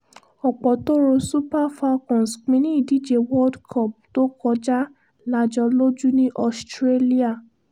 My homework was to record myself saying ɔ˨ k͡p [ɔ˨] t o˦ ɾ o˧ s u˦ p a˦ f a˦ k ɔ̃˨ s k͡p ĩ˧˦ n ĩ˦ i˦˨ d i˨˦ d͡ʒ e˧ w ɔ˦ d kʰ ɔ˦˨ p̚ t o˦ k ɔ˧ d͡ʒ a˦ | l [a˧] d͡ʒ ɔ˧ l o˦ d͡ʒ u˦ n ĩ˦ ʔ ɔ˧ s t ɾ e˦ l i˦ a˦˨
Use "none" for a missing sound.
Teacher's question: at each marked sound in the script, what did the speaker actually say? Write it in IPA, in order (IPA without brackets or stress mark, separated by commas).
ɔ˨, a˧